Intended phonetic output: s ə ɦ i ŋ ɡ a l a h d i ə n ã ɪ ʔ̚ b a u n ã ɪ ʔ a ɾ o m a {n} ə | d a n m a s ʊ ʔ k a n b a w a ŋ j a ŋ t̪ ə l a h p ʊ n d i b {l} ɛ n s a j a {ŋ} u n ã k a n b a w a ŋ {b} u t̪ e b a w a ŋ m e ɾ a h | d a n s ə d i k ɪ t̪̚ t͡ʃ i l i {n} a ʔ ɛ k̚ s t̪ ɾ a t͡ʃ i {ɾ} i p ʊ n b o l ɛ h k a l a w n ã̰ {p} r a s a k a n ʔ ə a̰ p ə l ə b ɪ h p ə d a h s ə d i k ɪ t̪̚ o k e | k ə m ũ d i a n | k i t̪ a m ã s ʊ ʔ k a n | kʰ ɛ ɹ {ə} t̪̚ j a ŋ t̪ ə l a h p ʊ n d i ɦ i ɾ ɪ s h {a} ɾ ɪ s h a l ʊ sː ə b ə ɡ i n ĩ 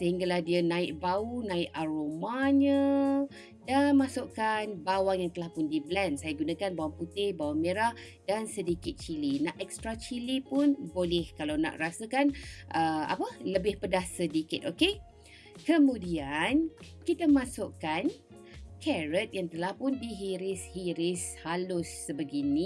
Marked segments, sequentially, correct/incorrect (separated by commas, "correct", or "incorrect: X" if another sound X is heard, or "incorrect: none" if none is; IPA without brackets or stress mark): incorrect: ɲ, correct, incorrect: ɡ, incorrect: p, correct, incorrect: l, incorrect: ʔ, correct, incorrect: i